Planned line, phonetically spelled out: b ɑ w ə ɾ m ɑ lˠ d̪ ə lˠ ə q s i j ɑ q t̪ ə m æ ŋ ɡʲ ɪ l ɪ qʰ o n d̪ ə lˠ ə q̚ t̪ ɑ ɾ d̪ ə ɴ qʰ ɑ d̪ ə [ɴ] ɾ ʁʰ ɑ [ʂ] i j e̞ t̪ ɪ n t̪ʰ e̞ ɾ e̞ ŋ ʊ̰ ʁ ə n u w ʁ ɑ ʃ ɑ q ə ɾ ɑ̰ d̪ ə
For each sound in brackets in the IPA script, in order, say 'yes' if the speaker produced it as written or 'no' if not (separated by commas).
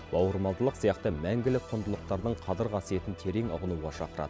no, no